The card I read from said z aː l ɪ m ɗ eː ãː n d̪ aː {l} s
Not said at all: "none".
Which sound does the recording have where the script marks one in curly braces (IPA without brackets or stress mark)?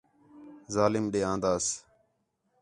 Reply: none